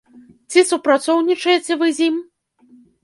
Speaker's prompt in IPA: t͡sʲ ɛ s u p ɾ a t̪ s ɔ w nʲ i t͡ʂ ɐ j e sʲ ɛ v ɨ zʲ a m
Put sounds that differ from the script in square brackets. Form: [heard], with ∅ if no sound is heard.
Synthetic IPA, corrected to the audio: t͡sʲ [i] s u p ɾ a t̪ s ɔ w nʲ i t͡ʂ ɐ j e [t͡sʲ] ɛ v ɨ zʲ [i] m